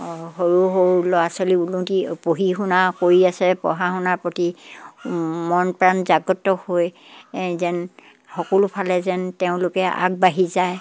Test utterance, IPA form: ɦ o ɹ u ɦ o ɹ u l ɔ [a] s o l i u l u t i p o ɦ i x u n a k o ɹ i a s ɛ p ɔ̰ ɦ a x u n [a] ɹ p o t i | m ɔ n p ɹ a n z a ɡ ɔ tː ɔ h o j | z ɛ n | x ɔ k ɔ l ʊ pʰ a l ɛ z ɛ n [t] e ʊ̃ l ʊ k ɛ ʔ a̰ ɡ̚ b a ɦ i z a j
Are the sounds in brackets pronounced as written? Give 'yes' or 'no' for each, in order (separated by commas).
yes, yes, yes